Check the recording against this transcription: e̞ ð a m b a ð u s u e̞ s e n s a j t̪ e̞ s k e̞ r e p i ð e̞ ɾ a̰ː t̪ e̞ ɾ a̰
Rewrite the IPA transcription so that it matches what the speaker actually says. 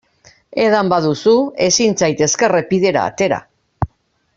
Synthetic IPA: e̞ ð a m b a ð u s u e̞ s i n t͡s a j t̪ e̞ s k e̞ r e p i ð e̞ ɾ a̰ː t̪ e̞ ɾ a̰